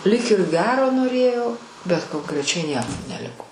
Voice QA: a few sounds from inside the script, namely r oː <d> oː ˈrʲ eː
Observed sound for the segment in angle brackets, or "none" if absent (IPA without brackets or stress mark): n